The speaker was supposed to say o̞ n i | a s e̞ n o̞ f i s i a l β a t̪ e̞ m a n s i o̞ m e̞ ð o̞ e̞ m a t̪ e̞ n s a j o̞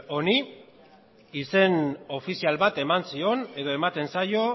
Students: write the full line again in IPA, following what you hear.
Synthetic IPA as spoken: o̞ n i | i s e̞ n o̞ f i s i a l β a t̪ e̞ m a n s i o̞ n e̞ ð o̞ e̞ m a t̪ e̞ n s a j o̞